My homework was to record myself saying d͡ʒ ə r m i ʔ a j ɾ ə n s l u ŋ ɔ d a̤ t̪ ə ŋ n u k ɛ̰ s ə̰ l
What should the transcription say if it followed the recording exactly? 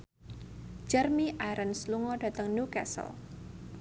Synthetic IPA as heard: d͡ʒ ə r m i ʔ a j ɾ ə n s l u ŋ ɔ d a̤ t̪ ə ŋ n u k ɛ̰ s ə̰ l